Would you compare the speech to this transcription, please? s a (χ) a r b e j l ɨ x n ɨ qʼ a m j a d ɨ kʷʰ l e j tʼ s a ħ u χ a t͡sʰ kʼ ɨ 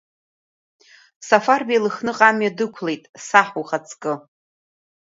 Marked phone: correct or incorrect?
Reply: incorrect